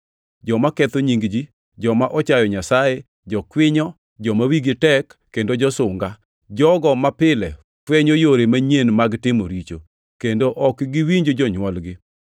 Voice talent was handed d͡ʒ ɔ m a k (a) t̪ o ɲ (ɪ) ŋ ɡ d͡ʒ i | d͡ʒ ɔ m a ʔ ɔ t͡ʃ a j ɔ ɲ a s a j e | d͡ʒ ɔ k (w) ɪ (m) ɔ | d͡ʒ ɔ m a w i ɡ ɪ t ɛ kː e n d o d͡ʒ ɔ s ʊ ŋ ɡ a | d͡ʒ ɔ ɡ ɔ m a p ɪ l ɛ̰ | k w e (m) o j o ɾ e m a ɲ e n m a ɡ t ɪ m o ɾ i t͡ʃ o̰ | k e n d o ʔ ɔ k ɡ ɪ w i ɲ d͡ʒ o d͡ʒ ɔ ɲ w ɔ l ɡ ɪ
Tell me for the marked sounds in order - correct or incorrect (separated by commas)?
incorrect, incorrect, correct, incorrect, incorrect